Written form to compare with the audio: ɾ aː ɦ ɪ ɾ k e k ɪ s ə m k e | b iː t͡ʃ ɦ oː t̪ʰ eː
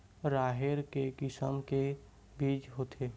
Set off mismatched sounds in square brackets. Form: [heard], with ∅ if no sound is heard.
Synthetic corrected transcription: ɾ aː ɦ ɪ ɾ k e k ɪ s ə m k e | b iː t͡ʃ ɦ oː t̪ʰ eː

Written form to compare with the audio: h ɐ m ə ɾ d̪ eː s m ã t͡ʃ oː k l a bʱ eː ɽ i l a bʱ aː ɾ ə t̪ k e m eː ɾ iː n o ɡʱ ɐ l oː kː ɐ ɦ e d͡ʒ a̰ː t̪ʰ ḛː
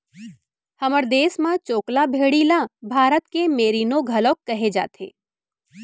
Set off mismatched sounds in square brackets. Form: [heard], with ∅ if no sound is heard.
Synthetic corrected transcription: h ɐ m ə ɾ d̪ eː s m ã t͡ʃ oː k l a bʱ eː ɽ i l a bʱ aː ɾ ə t̪ k e m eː ɾ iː n o ɡʱ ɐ l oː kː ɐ ɦ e d͡ʒ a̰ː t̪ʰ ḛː

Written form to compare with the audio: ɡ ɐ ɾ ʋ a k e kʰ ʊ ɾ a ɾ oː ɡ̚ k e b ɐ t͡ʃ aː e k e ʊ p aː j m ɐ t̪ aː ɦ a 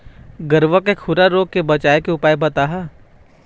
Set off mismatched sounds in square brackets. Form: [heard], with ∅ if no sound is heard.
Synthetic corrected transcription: ɡ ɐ ɾ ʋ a k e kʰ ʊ ɾ a ɾ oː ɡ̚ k e b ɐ t͡ʃ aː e k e ʊ p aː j [b] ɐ t̪ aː ɦ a

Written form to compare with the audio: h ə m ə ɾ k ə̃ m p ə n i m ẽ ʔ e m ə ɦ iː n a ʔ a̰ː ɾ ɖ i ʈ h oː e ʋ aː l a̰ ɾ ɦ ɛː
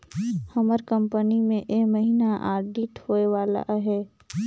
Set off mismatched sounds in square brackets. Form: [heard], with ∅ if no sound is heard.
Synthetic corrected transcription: h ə m ə ɾ k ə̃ m p ə n i m ẽ ʔ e m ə ɦ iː n a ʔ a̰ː ɾ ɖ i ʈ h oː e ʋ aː l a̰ [∅] ɦ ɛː

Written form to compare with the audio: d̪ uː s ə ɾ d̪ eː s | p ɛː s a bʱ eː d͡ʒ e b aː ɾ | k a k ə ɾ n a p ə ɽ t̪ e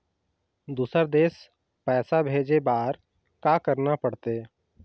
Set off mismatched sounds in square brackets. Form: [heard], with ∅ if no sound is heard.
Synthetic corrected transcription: d̪ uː s ə ɾ d̪ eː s | p ɛː s a bʱ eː d͡ʒ e b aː ɾ | k a k ə ɾ n a p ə ɽ t̪ e

